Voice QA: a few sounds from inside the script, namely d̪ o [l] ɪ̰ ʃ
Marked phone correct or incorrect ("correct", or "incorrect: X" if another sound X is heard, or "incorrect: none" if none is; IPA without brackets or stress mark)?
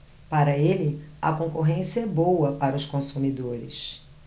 incorrect: ɾ